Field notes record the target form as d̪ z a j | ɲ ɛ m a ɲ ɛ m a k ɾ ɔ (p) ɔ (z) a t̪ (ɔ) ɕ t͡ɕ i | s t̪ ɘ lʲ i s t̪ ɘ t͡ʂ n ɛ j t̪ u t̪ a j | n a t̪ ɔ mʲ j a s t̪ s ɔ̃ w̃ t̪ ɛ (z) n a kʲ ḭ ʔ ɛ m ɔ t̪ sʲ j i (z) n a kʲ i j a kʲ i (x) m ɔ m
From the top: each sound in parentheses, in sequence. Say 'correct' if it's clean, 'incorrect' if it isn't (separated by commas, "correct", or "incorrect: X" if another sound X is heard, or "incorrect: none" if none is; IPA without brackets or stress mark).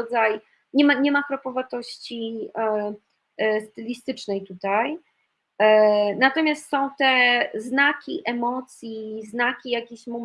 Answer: correct, incorrect: v, correct, correct, correct, incorrect: ɕ